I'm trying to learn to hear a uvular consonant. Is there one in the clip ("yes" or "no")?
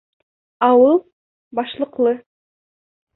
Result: yes